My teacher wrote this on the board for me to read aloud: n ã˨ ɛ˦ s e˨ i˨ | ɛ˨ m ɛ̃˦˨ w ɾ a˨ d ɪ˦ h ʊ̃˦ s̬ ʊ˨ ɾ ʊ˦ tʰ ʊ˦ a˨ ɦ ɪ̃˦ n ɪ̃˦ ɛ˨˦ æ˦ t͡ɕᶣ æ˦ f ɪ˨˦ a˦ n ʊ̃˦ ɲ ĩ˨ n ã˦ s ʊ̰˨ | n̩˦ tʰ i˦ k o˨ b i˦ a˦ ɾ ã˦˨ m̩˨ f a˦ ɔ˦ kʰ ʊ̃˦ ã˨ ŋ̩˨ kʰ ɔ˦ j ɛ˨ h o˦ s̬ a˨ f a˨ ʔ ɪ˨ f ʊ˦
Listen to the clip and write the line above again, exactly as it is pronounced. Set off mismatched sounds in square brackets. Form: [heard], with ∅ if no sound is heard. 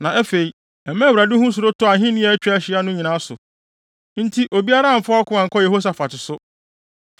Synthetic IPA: n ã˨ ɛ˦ [f] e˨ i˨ | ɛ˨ m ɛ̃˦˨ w ɾ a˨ d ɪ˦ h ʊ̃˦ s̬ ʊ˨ ɾ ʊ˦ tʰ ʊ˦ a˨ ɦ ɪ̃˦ n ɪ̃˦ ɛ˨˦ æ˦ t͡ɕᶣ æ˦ [ɕ] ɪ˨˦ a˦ n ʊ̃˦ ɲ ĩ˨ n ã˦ s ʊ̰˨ | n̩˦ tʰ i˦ [ʔ] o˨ b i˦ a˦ ɾ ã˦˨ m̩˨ f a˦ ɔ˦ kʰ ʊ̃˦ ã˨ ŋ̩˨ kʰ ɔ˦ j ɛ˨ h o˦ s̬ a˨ f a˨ [t] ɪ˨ [s] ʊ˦